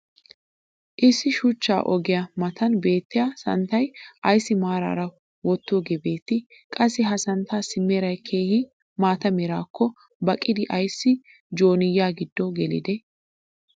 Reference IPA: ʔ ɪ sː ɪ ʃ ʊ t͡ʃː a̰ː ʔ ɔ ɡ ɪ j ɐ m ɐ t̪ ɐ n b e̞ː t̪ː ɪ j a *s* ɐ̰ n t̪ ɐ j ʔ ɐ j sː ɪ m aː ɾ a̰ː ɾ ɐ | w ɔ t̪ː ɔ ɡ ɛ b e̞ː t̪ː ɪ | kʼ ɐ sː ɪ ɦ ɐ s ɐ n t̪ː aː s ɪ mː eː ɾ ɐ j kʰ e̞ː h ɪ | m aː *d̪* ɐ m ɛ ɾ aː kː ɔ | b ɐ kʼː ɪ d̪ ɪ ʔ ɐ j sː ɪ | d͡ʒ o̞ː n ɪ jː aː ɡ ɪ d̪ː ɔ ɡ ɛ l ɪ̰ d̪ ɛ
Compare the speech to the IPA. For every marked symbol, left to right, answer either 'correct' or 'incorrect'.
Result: correct, incorrect: t̪

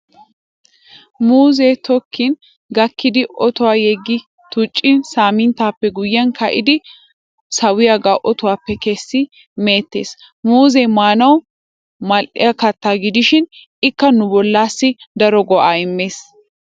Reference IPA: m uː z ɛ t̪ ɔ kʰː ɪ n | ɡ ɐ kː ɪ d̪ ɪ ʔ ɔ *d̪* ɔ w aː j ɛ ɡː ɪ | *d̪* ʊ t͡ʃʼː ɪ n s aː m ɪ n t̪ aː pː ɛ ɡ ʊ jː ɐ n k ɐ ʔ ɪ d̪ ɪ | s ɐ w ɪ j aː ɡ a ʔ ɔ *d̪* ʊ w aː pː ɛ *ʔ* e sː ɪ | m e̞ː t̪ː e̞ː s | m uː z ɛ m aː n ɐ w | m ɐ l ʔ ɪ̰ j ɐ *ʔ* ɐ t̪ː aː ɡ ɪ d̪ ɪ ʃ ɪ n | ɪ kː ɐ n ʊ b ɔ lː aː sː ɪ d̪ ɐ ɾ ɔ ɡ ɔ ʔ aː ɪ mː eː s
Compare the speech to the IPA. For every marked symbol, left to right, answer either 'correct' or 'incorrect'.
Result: incorrect: t̪, incorrect: t̪, incorrect: t̪, incorrect: k, incorrect: k

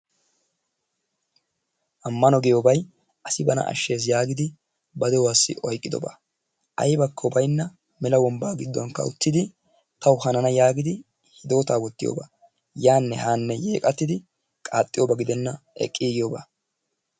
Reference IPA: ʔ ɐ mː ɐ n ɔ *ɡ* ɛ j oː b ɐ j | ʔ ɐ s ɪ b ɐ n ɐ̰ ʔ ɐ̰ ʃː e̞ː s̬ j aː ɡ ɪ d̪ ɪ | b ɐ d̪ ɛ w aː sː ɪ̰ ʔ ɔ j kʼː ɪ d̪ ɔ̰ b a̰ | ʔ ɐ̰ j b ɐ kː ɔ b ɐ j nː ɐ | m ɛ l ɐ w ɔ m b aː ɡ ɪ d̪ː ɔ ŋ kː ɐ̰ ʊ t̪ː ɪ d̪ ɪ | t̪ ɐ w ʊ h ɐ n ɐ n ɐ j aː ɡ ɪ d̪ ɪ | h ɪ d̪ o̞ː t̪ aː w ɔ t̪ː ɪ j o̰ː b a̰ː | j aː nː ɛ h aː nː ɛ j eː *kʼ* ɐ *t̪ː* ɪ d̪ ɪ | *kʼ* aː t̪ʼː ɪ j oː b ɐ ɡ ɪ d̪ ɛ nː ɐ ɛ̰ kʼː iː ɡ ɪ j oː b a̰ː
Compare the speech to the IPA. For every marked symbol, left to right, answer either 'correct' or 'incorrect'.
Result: correct, correct, correct, correct

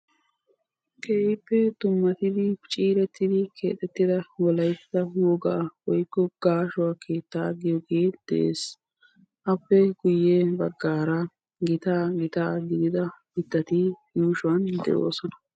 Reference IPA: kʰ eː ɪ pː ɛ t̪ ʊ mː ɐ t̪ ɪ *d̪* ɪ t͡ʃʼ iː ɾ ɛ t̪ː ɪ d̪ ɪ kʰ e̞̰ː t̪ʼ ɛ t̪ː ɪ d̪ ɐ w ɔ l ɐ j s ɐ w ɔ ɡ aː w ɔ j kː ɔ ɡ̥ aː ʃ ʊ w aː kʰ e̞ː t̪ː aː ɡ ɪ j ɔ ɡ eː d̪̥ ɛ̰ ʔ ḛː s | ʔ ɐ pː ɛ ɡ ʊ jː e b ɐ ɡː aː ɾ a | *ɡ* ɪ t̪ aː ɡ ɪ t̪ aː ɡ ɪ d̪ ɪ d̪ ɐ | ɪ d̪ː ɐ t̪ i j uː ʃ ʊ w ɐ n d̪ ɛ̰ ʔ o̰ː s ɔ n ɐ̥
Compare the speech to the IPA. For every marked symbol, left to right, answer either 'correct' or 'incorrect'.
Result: correct, correct

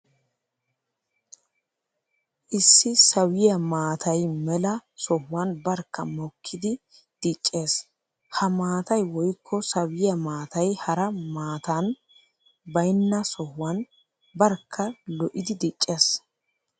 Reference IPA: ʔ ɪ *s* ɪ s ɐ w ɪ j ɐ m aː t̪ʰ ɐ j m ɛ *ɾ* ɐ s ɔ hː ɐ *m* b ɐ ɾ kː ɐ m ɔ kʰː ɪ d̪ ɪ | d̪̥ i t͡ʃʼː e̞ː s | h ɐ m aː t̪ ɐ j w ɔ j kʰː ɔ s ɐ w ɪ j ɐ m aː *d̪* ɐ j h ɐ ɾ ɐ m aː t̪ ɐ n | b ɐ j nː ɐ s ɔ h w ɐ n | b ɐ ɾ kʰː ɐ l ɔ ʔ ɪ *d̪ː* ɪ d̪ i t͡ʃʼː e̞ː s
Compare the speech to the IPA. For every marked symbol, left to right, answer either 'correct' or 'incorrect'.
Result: incorrect: sː, incorrect: l, incorrect: n, incorrect: t̪, incorrect: d̪

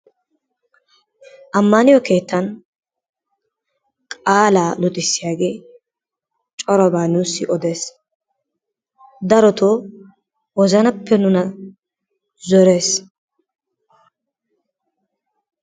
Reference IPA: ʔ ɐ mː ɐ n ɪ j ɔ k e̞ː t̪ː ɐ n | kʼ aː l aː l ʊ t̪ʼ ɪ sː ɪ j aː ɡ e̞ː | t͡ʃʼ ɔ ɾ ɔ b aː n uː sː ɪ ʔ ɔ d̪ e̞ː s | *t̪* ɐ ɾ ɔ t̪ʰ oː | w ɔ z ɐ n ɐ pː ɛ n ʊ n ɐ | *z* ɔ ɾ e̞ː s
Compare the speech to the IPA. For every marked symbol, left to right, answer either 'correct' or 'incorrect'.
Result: incorrect: d̪, correct

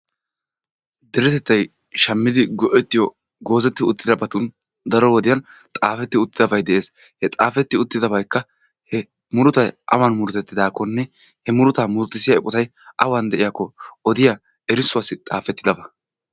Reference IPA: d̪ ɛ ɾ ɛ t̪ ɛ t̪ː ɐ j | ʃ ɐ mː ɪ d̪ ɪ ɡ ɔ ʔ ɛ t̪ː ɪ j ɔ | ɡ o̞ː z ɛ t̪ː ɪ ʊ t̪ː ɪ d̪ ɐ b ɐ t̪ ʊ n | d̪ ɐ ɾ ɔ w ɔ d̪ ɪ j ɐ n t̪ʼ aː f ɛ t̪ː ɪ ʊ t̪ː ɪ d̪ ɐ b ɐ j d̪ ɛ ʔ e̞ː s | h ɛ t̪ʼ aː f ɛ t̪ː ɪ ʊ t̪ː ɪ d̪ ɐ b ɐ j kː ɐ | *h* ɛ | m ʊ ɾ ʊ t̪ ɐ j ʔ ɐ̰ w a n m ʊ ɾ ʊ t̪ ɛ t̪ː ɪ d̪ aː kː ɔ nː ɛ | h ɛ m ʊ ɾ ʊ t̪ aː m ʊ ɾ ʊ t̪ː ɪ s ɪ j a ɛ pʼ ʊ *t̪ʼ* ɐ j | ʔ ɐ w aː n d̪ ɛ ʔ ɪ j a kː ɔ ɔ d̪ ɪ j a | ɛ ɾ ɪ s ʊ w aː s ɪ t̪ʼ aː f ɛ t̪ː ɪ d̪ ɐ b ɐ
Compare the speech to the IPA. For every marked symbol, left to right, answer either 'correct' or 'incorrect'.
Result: correct, incorrect: t̪

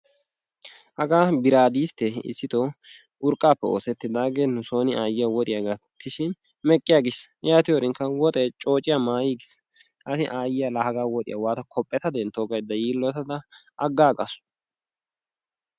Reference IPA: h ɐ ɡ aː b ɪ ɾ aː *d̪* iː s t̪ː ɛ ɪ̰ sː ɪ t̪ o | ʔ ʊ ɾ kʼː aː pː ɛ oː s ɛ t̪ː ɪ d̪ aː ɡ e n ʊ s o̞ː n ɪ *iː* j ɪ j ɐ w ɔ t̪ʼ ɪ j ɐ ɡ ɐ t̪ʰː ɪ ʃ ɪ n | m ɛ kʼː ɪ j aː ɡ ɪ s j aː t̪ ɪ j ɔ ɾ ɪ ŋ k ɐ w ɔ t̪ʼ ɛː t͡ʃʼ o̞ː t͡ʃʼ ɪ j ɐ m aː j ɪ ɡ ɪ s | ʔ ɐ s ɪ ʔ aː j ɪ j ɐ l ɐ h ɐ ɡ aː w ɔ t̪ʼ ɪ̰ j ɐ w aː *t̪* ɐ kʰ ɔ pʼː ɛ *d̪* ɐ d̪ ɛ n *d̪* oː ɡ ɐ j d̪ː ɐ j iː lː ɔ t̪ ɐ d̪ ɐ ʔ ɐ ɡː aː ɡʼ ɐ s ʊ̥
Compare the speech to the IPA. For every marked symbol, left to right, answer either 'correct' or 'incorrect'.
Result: correct, incorrect: aː, correct, incorrect: t̪, incorrect: t̪

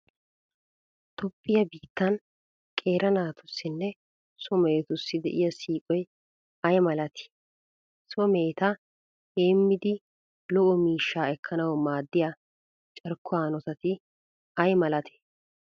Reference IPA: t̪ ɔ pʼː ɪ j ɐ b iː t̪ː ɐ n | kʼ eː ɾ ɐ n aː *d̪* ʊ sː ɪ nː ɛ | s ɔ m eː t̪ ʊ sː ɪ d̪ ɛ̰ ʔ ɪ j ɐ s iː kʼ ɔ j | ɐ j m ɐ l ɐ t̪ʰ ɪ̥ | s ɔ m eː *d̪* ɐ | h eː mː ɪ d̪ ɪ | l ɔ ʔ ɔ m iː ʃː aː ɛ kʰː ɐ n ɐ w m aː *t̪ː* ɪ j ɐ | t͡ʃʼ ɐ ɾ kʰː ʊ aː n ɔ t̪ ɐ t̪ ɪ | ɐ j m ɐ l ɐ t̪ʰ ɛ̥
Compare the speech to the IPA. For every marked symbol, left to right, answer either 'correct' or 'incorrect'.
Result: incorrect: t̪, incorrect: t̪, incorrect: d̪ː

